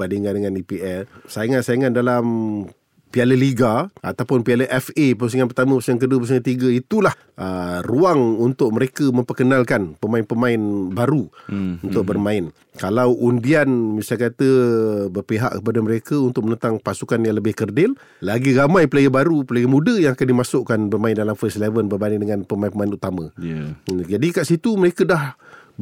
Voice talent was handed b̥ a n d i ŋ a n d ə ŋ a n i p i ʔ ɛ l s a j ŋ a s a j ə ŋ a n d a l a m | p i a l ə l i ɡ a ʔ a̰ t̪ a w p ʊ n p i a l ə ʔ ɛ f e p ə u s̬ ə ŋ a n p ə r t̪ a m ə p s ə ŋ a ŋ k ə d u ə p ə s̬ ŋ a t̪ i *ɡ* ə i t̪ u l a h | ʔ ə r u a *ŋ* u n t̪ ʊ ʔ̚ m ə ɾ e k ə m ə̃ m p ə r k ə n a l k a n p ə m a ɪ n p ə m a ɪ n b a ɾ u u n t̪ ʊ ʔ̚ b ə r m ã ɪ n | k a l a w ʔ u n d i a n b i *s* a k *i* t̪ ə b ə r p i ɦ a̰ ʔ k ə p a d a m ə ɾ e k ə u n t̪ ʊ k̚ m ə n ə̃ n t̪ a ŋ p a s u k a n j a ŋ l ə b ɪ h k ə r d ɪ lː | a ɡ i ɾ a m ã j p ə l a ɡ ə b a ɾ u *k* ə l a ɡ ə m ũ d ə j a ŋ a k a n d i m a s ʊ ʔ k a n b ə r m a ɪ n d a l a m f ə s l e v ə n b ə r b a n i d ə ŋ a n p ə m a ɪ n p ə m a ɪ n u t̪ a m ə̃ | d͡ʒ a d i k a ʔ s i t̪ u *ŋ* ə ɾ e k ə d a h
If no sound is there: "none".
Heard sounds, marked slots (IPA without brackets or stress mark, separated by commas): ɡ, ŋ, s, a, p, m